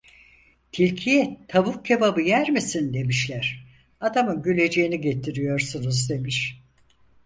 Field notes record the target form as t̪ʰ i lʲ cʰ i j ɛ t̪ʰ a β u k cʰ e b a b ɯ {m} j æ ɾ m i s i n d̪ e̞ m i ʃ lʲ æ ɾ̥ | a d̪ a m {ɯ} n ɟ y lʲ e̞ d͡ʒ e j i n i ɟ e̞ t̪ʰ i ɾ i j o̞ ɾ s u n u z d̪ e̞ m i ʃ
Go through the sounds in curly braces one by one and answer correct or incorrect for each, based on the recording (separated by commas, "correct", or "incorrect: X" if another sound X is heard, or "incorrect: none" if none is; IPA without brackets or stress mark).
incorrect: none, correct